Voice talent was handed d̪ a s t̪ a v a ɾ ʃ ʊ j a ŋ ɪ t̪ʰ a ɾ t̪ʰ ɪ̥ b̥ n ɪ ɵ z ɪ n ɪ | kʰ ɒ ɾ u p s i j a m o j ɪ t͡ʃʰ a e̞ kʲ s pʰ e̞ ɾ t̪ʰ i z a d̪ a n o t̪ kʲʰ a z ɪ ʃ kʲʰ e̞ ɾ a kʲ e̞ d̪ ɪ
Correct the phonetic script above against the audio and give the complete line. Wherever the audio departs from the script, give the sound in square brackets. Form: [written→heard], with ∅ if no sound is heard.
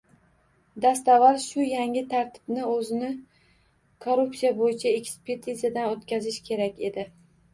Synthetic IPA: d̪ a s t̪ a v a ɾ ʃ ʊ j a ŋ ɪ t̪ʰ a ɾ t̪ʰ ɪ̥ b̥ n ɪ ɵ z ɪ n ɪ | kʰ [ɒ→o] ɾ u p s i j a [m→b] o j ɪ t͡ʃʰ a e̞ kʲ s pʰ e̞ ɾ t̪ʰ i z a d̪ a n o t̪ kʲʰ a z ɪ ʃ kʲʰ e̞ ɾ a kʲ e̞ d̪ ɪ